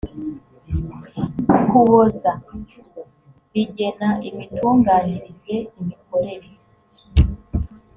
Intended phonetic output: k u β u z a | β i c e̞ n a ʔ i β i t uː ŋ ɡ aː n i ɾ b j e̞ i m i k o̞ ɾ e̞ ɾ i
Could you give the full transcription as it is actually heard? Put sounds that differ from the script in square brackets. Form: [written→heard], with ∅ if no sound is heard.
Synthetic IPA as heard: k u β [u→o] z a | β i [c→ɟ] e̞ n a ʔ i β i t uː ŋ ɡ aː n i ɾ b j e̞ i m i k o̞ ɾ e̞ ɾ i